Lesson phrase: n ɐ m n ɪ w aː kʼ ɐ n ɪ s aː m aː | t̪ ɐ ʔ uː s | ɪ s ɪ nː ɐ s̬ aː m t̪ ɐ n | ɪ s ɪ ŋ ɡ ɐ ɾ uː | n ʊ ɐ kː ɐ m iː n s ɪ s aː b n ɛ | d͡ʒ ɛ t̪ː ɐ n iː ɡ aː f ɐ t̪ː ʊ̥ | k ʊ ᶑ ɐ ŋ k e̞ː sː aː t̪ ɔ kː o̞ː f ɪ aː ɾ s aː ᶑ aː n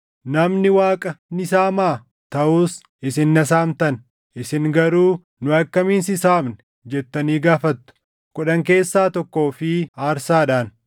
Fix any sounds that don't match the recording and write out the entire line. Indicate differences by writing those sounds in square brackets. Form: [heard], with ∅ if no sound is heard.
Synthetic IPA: n ɐ m n ɪ w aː kʼ ɐ n ɪ s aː m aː | t̪ ɐ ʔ uː s | ɪ s ɪ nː ɐ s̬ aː m t̪ ɐ n | ɪ s ɪ ŋ ɡ ɐ ɾ uː | n ʊ ɐ kː ɐ m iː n s ɪ s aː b n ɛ | d͡ʒ ɛ t̪ː ɐ n iː ɡ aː f ɐ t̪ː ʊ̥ | k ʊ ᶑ ɐ ŋ k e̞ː sː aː t̪ ɔ kː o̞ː f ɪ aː ɾ s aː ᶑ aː n

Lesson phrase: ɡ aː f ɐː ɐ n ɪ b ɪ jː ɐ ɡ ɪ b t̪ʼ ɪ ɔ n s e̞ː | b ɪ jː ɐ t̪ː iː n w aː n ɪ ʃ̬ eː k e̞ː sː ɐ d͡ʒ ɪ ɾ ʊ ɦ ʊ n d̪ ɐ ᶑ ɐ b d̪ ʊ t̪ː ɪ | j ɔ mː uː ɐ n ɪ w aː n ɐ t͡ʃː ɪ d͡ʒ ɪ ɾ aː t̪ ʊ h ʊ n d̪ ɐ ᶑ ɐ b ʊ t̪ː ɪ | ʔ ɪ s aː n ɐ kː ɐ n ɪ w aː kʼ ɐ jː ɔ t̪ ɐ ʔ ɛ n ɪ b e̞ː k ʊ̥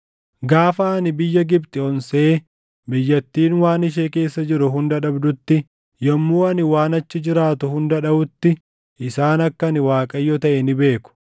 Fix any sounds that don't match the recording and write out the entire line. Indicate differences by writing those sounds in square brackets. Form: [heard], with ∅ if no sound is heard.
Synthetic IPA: ɡ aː f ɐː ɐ n ɪ b ɪ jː ɐ ɡ ɪ b t̪ʼ ɪ ɔ n s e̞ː | b ɪ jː ɐ t̪ː iː n w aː n ɪ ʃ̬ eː k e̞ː sː ɐ d͡ʒ ɪ ɾ ʊ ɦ ʊ n d̪ ɐ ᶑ ɐ b d̪ ʊ t̪ː ɪ | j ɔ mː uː ɐ n ɪ w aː n ɐ t͡ʃː ɪ d͡ʒ ɪ ɾ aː t̪ ʊ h ʊ n d̪ ɐ ᶑ ɐ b ʊ t̪ː ɪ | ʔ ɪ s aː n ɐ kː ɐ n ɪ w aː kʼ ɐ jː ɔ t̪ ɐ ʔ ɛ n ɪ b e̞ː k ʊ̥

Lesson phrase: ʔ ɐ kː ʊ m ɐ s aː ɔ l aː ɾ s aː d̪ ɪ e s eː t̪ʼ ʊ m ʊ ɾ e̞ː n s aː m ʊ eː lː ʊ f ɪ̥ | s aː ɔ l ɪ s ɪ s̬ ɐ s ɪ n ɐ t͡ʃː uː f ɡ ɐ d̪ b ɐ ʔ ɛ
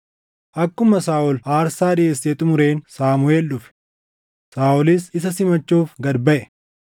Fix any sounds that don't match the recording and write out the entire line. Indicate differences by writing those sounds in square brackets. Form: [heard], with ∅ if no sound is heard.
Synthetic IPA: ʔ ɐ kː ʊ m ɐ s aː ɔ l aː ɾ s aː d̪ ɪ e s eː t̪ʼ ʊ m ʊ ɾ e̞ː n s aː m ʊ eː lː ʊ f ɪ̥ | s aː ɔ l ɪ s ɪ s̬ ɐ s ɪ [m] ɐ t͡ʃː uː f ɡ ɐ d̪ b ɐ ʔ ɛ

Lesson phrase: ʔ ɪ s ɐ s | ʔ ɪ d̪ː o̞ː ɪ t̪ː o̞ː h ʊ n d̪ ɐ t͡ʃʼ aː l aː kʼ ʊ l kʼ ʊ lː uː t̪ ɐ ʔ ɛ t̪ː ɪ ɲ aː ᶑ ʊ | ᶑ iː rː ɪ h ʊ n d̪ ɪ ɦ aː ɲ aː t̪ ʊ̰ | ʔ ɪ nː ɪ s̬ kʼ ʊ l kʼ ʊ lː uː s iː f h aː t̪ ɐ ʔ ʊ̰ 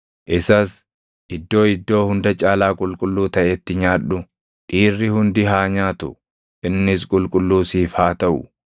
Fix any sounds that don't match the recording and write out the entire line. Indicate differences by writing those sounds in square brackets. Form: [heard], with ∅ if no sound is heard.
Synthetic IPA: ʔ ɪ s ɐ s | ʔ ɪ d̪ː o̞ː ɪ [d̪ː] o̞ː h ʊ n d̪ ɐ t͡ʃʼ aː l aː kʼ ʊ l kʼ ʊ lː uː t̪ ɐ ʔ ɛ t̪ː ɪ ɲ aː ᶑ ʊ | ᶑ iː rː ɪ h ʊ n d̪ ɪ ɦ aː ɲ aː t̪ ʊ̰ | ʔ ɪ nː ɪ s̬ kʼ ʊ l kʼ ʊ lː uː s iː f h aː t̪ ɐ ʔ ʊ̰

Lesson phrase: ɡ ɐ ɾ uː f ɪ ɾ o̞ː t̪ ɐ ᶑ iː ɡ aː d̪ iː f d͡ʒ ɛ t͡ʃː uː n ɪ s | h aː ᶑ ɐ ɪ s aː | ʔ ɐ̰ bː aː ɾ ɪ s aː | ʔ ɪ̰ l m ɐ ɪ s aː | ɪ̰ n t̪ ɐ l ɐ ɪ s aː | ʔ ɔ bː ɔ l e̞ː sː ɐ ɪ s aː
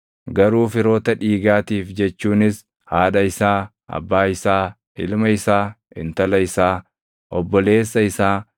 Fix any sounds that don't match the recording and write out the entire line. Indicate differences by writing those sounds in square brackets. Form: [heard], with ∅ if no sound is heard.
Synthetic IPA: ɡ ɐ ɾ uː f ɪ ɾ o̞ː t̪ ɐ ᶑ iː ɡ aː [t̪] iː f d͡ʒ ɛ t͡ʃː uː n ɪ s | h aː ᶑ ɐ ɪ s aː | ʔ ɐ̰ bː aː [∅] ɪ s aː | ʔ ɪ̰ l m ɐ ɪ s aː | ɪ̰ n t̪ ɐ l ɐ ɪ s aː | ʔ ɔ bː ɔ l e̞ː sː ɐ ɪ s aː

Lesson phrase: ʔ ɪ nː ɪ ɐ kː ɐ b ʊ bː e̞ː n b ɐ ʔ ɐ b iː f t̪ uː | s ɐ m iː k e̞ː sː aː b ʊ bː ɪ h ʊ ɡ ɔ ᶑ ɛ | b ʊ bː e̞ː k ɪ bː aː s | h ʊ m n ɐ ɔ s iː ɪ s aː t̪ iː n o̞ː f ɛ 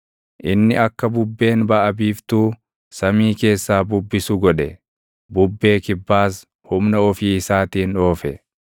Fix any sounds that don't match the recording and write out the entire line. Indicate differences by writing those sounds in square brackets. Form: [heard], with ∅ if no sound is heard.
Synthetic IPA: ʔ ɪ nː ɪ ɐ kː ɐ b ʊ bː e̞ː n b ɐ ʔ ɐ b iː f t̪ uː | s ɐ m iː k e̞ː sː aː b ʊ bː ɪ [s] ʊ ɡ ɔ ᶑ ɛ | b ʊ bː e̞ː k ɪ bː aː s | h ʊ m n ɐ ɔ [f] iː ɪ s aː t̪ iː n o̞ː f ɛ

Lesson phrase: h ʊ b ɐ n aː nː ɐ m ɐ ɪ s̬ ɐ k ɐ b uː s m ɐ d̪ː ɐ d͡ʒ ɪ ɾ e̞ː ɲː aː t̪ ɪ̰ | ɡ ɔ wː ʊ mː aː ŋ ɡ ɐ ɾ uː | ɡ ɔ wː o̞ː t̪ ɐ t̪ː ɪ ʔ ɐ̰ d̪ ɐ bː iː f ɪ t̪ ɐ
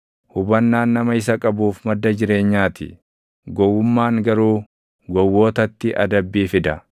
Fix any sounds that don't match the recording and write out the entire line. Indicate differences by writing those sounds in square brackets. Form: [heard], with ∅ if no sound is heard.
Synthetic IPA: h ʊ b ɐ [nː] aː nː ɐ m ɐ ɪ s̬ ɐ [kʼ] ɐ b uː [f] m ɐ d̪ː ɐ d͡ʒ ɪ ɾ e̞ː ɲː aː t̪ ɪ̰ | ɡ ɔ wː ʊ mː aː ŋ ɡ ɐ ɾ uː | ɡ ɔ wː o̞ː t̪ ɐ t̪ː ɪ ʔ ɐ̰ d̪ ɐ bː iː f ɪ [d̪] ɐ

